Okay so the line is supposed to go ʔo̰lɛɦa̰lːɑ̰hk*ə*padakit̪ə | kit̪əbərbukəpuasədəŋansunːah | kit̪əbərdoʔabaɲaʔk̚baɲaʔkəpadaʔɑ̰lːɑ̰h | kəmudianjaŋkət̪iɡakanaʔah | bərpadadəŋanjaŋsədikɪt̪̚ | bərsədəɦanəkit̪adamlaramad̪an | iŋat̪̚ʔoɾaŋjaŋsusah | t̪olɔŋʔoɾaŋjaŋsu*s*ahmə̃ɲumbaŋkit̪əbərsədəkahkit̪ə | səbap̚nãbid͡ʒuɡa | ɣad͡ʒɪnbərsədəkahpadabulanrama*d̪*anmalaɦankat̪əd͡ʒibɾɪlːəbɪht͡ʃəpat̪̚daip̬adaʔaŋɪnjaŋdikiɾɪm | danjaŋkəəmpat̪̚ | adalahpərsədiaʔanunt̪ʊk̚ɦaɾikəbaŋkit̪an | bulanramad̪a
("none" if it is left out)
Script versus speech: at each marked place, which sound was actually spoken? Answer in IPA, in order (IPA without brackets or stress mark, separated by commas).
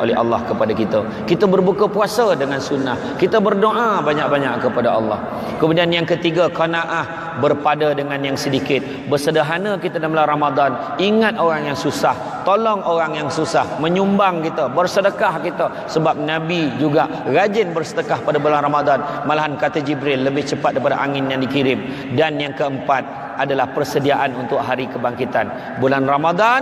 ə, s, d̪